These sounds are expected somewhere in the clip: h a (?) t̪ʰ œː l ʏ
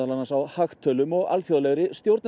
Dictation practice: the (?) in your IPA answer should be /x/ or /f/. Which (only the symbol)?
x